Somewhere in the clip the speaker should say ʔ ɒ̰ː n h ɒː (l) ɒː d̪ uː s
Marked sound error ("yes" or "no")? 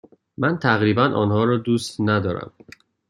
yes